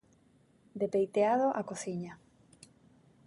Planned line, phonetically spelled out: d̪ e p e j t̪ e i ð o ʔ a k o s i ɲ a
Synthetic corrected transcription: d̪ e p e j t̪ e a ð o ʔ a k o θ i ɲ a